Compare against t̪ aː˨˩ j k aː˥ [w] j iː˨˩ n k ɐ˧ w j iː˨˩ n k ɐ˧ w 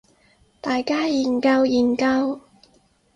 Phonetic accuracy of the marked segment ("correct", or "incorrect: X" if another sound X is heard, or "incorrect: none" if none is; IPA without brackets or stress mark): incorrect: none